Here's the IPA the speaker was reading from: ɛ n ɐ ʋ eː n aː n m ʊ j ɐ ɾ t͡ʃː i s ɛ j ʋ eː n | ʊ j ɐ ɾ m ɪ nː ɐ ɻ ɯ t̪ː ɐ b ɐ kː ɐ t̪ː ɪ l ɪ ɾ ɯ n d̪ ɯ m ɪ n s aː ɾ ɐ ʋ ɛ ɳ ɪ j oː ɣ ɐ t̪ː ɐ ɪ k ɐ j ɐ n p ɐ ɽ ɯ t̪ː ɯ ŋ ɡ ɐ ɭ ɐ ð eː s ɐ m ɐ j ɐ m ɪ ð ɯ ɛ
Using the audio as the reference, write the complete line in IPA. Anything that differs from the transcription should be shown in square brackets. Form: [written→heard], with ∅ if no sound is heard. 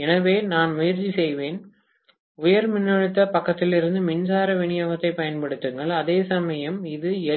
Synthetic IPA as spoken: ɛ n ɐ ʋ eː n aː n m ʊ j ɐ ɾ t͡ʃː i s ɛ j ʋ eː n | ʊ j ɐ ɾ m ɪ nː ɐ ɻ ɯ t̪ː ɐ [b→p] ɐ kː ɐ t̪ː ɪ l ɪ ɾ ɯ n d̪ ɯ m ɪ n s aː ɾ ɐ ʋ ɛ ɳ ɪ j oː ɣ ɐ t̪ː ɐ ɪ [k→p] ɐ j ɐ n p ɐ ɽ ɯ t̪ː ɯ ŋ ɡ ɐ ɭ ɐ ð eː s ɐ m ɐ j ɐ m ɪ ð ɯ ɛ